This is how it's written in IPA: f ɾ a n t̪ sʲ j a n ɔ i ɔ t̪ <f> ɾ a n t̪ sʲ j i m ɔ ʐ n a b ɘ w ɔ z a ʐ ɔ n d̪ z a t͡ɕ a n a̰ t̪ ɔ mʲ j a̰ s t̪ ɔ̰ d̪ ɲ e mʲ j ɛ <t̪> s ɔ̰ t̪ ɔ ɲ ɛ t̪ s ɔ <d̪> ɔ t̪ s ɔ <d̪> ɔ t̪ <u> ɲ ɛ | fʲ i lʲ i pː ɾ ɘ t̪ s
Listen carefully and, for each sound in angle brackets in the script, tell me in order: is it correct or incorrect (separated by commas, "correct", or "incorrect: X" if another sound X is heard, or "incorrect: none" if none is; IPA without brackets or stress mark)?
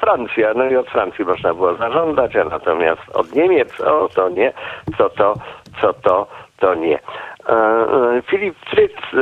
correct, correct, incorrect: t̪, incorrect: t̪, incorrect: ɔ